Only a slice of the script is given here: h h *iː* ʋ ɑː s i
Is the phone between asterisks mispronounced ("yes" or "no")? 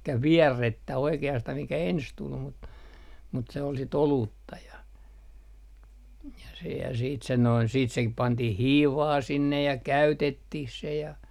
no